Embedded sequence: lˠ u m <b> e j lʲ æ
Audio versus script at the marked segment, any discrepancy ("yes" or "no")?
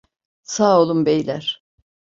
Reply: no